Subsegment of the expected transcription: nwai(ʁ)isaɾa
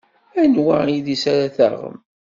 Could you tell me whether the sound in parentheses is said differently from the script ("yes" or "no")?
yes